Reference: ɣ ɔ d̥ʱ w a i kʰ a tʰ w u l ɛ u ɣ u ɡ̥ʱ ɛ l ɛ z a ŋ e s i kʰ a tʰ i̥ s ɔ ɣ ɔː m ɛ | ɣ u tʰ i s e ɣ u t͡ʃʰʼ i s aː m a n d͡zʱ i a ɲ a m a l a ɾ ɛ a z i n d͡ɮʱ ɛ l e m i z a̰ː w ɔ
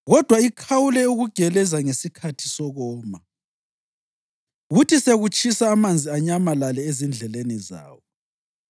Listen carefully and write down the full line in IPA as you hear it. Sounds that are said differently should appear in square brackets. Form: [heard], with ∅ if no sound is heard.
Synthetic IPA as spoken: ɣ ɔ d̥ʱ w a i kʰ a [∅] w u l ɛ u ɣ u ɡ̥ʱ ɛ l ɛ z a ŋ e s i kʰ a tʰ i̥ s ɔ ɣ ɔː m [a] | ɣ u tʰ i s e ɣ u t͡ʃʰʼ i s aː m a n d͡zʱ i a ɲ a m a l a [l] ɛ [e] z i n d͡ɮʱ ɛ l e [n] i z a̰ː w ɔ